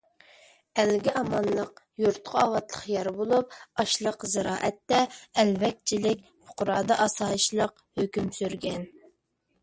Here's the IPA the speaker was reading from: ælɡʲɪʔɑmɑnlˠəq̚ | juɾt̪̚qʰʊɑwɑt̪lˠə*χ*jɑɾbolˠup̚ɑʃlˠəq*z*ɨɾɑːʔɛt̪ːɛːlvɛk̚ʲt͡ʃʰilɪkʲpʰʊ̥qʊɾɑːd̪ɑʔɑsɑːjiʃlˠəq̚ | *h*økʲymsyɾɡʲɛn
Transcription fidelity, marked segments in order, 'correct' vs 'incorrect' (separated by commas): correct, correct, correct